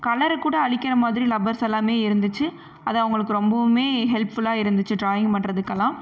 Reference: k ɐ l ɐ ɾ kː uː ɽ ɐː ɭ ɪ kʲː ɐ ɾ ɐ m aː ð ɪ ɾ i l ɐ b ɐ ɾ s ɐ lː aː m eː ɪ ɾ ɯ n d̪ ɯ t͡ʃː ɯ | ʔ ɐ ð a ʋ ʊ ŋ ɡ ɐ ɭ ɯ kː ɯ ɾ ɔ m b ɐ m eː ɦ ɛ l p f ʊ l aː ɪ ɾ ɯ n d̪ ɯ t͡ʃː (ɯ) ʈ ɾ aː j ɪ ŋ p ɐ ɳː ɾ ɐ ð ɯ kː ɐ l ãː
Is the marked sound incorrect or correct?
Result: correct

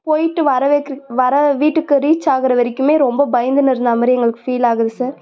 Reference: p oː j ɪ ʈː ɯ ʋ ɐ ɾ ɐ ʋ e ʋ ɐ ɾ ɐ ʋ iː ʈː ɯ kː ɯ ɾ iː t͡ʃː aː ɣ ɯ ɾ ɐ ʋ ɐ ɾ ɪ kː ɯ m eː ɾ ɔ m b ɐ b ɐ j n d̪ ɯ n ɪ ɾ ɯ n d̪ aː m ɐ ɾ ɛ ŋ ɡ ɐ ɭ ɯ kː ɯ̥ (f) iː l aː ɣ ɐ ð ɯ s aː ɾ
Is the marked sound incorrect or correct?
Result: correct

